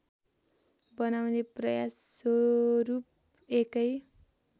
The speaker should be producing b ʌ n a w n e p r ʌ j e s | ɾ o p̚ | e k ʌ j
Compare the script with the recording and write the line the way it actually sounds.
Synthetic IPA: b ʌ n a w n e p r ʌ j a s | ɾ u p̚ | e k ʌ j